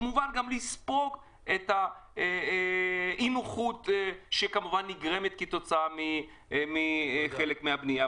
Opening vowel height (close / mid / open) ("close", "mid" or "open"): close